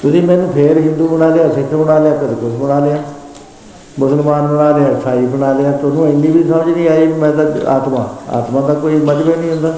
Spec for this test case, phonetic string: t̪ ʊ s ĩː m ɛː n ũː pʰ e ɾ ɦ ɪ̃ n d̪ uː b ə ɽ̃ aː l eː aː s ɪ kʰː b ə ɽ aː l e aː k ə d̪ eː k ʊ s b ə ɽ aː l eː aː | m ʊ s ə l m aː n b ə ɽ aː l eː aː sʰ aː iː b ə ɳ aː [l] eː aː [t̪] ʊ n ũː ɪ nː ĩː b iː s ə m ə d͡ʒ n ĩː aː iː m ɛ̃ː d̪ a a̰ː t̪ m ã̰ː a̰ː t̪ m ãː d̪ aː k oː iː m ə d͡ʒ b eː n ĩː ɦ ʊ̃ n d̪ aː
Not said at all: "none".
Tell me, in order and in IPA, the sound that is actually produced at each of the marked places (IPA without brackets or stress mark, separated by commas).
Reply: l, t̪